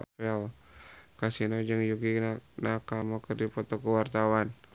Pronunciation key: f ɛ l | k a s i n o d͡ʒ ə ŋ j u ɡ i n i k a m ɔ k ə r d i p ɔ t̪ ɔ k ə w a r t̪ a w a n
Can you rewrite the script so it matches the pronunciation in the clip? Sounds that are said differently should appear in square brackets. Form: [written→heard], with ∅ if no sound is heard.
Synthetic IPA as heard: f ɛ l | k a s i n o d͡ʒ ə ŋ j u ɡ i n [i→a] k a m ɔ k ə r d i p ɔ t̪ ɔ k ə w a r t̪ a w a n